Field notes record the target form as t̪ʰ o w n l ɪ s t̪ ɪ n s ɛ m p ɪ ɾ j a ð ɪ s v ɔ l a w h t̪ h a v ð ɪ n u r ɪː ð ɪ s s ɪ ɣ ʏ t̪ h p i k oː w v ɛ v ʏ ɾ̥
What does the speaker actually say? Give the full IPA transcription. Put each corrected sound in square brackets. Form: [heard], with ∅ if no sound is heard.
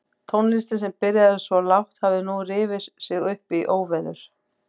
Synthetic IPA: t̪ʰ o w n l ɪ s t̪ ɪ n s ɛ m p ɪ ɾ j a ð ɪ s v ɔ l a w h t̪ h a v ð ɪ n u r ɪː [v] ɪ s s ɪ ɣ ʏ [∅] h p i [ʔ] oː w v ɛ [ð] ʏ ɾ̥